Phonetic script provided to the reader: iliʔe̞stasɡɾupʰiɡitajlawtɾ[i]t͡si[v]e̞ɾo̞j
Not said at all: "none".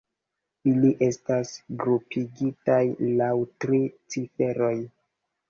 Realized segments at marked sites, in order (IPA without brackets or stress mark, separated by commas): i, f